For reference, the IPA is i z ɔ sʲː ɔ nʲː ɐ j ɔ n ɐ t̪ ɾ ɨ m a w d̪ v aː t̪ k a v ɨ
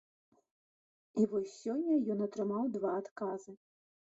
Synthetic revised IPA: i v ɔ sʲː ɔ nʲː ɐ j ɔ n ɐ t̪ ɾ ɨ m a w d̪ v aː t̪ k a z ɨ